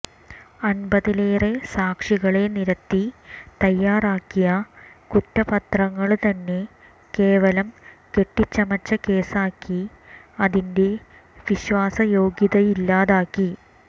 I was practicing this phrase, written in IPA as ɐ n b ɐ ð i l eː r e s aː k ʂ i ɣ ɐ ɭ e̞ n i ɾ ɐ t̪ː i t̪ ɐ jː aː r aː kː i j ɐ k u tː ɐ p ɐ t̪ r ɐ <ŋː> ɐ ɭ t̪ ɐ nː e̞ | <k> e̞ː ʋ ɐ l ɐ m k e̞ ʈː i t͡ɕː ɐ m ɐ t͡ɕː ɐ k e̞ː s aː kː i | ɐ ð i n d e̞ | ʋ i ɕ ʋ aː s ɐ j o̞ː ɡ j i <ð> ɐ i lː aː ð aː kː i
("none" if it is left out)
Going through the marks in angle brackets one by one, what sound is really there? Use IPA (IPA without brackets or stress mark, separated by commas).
ŋː, k, ð